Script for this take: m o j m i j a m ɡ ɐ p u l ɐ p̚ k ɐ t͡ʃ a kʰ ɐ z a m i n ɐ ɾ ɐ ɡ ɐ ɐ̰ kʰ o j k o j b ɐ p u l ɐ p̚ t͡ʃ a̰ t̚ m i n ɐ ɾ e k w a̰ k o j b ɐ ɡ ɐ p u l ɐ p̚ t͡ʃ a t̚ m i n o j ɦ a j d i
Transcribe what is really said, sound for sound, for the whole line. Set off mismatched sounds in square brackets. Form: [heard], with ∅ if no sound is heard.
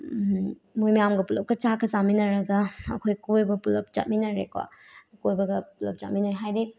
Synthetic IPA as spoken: m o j m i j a m ɡ ɐ p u l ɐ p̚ k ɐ t͡ʃ a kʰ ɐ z a m i n ɐ ɾ ɐ ɡ ɐ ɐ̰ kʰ o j k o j b ɐ p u l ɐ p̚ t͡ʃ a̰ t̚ m i n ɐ ɾ e k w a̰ k o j b ɐ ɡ ɐ p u l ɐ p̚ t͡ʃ a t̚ m i n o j ɦ a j d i